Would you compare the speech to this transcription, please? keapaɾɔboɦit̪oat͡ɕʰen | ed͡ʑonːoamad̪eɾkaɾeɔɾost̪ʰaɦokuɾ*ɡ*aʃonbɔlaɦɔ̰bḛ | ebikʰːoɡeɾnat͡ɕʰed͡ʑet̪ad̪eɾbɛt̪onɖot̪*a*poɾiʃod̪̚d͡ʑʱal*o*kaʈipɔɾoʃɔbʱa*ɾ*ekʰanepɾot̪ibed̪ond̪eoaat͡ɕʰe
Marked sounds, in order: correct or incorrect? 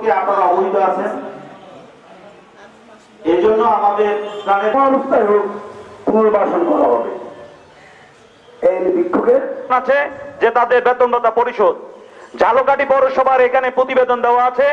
incorrect: b, correct, correct, correct

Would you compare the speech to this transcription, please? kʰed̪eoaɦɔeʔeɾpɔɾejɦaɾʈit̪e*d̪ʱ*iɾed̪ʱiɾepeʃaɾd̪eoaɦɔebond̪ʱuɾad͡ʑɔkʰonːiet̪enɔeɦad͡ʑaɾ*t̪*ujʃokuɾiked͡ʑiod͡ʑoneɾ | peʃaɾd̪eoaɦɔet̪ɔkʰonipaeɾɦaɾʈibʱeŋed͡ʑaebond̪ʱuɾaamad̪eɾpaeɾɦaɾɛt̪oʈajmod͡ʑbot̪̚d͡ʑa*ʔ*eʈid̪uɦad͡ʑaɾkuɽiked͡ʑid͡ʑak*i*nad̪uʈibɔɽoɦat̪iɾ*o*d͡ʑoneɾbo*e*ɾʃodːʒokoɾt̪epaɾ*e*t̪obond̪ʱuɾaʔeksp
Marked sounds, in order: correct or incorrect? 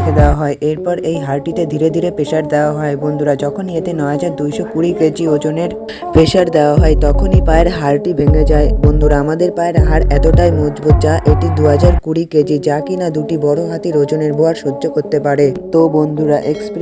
correct, incorrect: d̪, correct, correct, correct, incorrect: a, correct

